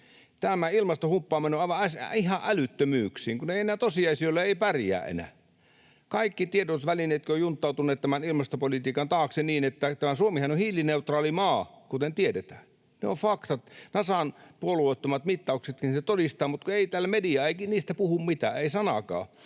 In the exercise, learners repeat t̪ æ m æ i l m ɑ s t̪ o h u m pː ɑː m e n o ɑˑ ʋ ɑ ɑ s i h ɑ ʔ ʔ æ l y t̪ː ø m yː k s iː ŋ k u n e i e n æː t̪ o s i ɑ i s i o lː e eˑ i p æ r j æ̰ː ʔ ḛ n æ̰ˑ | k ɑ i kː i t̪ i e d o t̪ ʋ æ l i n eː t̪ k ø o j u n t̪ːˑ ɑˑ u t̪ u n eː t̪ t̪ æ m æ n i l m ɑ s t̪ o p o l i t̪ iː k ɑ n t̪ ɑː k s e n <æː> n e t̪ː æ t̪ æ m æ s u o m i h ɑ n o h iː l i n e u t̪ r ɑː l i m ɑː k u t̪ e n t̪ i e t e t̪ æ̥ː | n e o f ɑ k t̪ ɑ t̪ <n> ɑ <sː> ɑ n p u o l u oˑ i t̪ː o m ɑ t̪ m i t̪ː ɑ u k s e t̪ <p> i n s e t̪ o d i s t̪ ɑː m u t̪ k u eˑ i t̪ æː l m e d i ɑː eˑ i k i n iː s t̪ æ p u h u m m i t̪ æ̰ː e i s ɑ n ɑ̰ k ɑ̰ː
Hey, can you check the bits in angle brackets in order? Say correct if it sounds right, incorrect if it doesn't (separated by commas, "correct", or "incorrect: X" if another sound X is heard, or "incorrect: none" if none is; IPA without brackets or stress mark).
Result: incorrect: iː, correct, incorrect: s, incorrect: k